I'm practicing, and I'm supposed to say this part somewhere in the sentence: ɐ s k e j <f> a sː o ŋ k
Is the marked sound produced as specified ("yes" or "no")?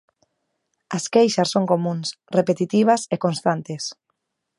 no